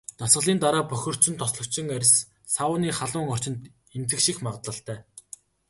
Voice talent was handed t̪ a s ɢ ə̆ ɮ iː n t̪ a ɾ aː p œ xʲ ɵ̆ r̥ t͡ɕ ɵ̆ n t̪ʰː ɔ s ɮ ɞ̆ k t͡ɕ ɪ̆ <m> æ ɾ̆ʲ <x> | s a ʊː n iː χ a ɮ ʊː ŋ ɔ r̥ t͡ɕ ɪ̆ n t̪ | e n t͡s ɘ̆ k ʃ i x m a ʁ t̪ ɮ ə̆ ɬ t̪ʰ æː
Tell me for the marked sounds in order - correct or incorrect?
incorrect, incorrect

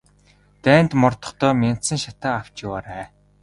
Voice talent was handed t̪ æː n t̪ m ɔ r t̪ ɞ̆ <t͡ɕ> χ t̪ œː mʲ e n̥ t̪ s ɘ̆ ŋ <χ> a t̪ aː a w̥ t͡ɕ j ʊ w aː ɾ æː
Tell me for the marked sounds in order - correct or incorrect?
incorrect, incorrect

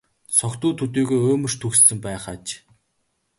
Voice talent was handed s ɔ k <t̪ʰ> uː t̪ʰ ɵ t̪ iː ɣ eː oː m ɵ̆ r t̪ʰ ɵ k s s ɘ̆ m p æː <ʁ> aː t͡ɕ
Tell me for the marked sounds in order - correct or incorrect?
incorrect, incorrect

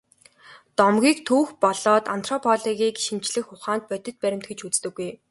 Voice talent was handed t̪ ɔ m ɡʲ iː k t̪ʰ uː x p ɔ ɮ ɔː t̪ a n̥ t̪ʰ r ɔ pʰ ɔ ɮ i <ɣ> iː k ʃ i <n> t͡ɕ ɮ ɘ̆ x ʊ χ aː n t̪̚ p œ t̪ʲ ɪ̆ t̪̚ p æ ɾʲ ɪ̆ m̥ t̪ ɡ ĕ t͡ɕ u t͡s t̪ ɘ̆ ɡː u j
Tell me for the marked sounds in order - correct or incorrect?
correct, incorrect

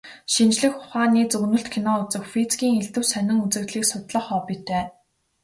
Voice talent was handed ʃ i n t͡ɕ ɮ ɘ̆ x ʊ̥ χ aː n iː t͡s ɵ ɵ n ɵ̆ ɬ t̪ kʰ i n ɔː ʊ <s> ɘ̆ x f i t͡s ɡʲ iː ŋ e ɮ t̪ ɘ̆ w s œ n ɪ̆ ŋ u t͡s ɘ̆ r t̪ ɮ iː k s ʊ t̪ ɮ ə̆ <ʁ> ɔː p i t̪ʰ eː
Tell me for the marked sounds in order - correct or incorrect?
incorrect, incorrect

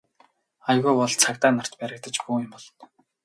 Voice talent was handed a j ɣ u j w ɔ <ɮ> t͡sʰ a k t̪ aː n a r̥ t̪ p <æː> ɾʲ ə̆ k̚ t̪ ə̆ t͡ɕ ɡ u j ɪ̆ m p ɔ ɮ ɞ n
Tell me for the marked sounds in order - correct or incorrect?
correct, incorrect

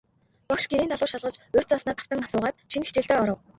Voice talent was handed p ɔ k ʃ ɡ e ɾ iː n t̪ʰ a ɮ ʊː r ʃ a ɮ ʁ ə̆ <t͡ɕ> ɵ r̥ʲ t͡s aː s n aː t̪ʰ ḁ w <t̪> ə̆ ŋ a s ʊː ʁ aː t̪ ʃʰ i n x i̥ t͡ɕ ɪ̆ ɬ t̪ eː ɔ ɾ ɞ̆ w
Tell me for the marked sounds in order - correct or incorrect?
correct, correct

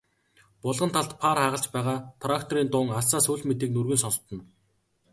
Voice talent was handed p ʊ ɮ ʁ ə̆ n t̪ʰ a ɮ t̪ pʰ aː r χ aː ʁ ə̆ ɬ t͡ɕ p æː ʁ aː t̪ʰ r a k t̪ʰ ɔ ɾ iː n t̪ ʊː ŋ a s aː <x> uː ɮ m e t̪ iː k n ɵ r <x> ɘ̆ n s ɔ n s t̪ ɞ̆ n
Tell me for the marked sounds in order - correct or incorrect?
incorrect, incorrect

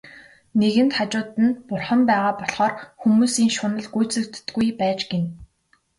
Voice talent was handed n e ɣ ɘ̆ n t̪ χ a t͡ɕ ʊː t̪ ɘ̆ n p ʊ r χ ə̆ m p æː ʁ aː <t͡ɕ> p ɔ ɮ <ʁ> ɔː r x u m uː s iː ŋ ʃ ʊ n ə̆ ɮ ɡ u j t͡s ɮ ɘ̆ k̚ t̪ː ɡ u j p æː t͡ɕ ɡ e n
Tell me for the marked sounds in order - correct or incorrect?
incorrect, incorrect

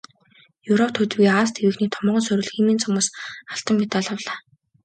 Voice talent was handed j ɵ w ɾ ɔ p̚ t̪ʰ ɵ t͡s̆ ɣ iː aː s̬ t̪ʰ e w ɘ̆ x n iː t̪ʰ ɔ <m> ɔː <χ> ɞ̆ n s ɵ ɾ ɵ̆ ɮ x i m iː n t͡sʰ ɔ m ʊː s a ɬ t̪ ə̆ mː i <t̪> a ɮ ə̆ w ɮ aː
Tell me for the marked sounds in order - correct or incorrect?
correct, incorrect, correct

